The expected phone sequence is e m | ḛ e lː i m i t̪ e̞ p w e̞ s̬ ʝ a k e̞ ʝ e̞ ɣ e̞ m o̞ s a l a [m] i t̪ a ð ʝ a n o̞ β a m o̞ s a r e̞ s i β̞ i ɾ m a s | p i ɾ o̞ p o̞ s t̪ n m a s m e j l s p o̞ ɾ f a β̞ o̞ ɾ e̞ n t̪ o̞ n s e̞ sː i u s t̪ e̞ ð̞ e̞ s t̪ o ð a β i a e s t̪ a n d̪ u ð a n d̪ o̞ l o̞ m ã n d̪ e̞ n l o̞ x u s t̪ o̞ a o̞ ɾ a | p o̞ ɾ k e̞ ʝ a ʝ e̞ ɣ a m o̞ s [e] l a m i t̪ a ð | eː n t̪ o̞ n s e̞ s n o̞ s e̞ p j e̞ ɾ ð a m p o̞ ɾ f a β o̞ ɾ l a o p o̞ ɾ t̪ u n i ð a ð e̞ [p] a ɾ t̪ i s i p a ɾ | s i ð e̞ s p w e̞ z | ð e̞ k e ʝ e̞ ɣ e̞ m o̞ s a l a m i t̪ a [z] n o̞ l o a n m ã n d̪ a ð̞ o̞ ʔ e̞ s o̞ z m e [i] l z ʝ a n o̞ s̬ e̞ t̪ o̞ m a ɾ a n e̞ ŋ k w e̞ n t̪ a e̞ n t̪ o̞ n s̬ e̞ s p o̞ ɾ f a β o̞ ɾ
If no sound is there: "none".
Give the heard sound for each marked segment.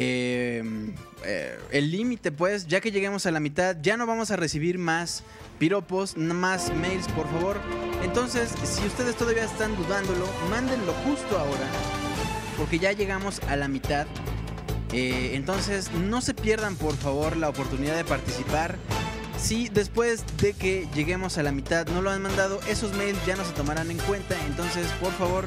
m, a, p, ð, j

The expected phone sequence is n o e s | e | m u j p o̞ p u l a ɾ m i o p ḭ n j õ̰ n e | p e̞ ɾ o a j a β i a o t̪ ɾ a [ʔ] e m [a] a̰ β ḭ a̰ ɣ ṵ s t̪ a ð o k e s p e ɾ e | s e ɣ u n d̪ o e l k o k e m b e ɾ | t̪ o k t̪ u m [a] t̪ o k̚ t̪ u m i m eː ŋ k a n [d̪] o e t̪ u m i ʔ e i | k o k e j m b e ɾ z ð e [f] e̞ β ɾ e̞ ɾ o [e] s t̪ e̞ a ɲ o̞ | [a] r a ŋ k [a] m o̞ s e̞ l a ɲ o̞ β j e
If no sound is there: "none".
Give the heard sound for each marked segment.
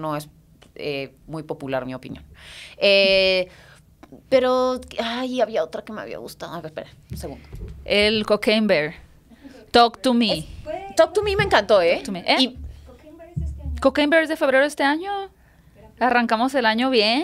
k, e, i, t̪, f, e, a, a

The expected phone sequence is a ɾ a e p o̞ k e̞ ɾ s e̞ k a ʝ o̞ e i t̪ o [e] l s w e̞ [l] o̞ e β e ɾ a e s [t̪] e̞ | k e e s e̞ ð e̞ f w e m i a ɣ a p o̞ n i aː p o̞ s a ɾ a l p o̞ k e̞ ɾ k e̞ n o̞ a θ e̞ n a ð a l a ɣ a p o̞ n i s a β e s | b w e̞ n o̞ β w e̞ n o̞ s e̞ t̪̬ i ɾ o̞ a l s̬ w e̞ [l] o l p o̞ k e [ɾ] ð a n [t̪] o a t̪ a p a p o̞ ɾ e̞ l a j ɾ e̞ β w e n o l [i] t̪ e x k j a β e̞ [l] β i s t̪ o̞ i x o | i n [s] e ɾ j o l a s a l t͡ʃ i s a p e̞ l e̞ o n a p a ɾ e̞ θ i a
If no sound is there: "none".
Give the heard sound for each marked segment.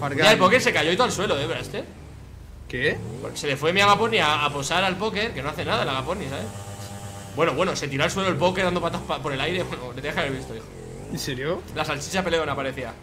a, l, t̪, l, ɾ, d̪, e, ɾ, s

